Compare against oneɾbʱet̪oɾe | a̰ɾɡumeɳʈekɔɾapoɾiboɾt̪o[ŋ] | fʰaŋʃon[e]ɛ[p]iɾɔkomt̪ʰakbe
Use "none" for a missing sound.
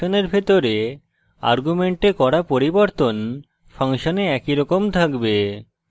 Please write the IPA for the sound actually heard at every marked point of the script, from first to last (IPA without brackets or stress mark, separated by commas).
n, e, k